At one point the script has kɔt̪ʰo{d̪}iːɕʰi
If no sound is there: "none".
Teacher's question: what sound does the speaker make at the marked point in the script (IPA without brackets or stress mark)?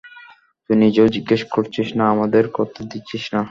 d̪